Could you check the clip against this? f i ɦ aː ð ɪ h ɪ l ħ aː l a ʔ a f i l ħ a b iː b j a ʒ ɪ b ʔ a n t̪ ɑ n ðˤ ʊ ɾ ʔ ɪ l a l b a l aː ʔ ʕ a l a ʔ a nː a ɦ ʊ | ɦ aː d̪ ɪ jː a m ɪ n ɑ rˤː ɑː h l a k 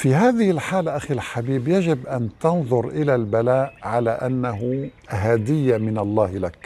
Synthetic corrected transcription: f i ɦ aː ð ɪ h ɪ l ħ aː l a ʔ a x i l ħ a b iː b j a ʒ ɪ b ʔ a n t̪ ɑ n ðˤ ʊ ɾ ʔ ɪ l a l b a l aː ʔ ʕ a l a ʔ a nː a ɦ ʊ | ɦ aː d̪ ɪ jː a m ɪ n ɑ lˤː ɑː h l a k